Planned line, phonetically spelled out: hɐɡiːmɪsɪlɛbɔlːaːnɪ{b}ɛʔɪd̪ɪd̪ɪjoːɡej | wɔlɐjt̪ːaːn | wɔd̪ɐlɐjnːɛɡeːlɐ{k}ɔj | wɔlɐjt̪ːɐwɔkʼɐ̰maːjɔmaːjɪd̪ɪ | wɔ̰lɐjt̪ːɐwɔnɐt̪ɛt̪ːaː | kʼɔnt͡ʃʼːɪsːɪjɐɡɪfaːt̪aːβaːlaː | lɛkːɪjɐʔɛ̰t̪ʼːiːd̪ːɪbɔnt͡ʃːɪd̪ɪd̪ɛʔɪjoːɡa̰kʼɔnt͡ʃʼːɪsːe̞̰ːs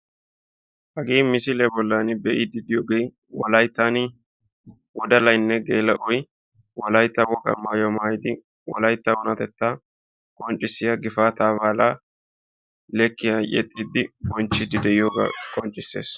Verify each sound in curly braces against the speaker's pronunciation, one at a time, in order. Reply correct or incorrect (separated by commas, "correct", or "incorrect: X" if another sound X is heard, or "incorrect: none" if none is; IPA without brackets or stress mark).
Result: correct, incorrect: ʔ